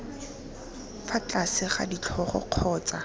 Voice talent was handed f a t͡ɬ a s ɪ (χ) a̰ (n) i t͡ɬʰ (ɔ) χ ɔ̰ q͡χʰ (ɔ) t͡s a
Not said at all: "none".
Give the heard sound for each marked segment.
χ, d, ɔ, ɔː

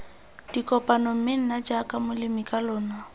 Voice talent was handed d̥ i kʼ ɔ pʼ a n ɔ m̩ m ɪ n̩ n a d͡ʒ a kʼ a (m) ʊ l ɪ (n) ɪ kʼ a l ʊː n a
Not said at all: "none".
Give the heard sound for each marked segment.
m, m

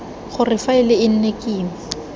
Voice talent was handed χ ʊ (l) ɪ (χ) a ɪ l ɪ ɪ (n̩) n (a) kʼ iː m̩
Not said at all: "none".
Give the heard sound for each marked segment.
r, f, n̩, e

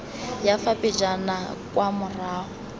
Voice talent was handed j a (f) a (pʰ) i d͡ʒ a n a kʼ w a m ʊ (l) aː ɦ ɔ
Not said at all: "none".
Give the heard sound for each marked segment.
f, p, r

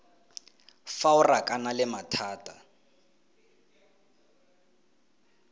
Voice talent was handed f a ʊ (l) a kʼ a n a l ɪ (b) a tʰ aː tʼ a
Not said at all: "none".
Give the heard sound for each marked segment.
r, m

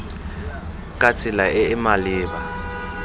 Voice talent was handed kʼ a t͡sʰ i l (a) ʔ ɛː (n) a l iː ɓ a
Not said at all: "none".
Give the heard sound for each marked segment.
a, m

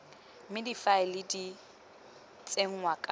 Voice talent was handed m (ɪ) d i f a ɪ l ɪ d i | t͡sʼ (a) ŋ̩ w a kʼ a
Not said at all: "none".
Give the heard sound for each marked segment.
ɪ, e

